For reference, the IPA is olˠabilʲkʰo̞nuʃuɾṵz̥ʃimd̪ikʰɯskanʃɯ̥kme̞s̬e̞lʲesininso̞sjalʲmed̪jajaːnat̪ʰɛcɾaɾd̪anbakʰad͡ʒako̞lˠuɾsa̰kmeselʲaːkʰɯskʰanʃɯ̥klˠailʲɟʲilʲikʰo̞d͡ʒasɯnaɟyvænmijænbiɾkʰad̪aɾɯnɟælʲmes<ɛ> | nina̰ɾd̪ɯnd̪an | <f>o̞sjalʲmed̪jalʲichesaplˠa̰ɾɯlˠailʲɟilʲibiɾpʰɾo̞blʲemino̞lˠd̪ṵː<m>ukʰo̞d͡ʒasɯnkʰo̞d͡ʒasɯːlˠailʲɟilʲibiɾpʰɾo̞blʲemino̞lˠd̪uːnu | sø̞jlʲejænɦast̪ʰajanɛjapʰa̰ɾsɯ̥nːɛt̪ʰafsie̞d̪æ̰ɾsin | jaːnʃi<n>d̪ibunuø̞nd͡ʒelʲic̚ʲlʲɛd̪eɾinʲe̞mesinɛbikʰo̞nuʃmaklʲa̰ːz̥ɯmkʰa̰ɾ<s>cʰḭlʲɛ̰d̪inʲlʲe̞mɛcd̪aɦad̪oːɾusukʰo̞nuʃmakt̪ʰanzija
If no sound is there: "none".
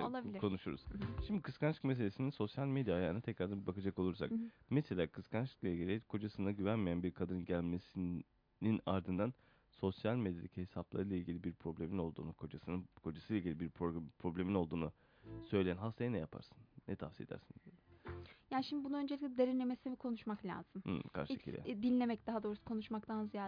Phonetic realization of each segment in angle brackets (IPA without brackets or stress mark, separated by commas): i, s, n, m, ʃ